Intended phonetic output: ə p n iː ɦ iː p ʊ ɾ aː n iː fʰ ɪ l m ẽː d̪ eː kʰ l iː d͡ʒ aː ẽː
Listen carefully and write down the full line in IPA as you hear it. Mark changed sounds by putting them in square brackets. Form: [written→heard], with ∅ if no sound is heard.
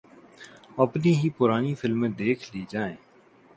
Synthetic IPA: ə p n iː ɦ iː p ʊ ɾ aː n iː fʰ ɪ l m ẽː d̪ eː kʰ l iː d͡ʒ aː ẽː